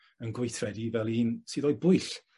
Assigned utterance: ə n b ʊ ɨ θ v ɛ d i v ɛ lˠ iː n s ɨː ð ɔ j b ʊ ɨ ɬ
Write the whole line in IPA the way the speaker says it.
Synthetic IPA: ə n ɡ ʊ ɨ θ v ɛ d i v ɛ lˠ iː n s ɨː ð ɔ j b ʊ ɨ ɬ